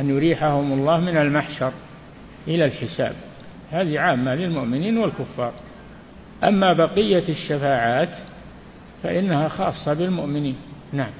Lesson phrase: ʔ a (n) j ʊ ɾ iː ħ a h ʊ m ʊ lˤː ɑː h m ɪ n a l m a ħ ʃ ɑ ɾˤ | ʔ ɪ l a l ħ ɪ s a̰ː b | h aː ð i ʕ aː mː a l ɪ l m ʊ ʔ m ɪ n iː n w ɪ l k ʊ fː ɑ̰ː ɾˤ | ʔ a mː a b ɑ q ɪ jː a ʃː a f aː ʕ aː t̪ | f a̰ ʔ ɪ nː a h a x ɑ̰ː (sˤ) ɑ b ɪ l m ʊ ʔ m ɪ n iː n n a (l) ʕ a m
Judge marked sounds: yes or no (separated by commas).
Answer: yes, no, no